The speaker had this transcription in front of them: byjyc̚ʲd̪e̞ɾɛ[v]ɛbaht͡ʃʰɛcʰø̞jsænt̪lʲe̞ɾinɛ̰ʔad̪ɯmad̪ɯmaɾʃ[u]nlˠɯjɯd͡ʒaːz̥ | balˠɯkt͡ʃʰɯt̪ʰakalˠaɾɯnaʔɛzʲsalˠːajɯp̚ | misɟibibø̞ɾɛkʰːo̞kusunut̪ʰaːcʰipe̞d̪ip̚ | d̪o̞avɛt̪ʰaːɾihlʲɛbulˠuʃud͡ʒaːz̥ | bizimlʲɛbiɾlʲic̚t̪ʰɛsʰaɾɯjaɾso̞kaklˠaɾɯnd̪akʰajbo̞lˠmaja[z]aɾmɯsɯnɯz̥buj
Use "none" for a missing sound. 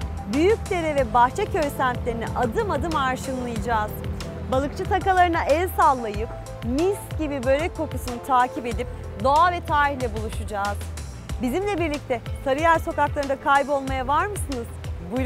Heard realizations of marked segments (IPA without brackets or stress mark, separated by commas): v, ɯ, v